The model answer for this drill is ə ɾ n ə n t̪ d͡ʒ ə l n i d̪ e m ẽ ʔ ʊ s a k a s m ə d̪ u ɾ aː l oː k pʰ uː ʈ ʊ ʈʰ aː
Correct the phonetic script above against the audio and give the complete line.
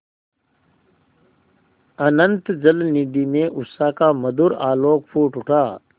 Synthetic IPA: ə n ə n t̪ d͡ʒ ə l n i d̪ i m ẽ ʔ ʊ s a k a m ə d̪ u ɾ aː l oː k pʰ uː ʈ ʊ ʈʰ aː